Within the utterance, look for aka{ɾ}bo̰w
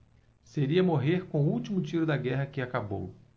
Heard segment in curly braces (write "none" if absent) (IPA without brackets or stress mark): none